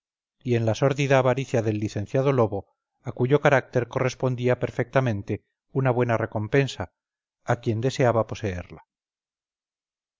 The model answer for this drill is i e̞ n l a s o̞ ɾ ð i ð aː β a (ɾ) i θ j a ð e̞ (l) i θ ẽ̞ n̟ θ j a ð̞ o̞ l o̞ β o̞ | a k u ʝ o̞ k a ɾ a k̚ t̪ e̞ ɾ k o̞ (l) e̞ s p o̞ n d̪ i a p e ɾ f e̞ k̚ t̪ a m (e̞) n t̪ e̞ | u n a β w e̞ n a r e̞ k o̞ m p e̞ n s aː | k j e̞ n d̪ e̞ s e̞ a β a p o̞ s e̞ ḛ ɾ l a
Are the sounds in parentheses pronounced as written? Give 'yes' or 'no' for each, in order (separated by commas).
yes, no, no, no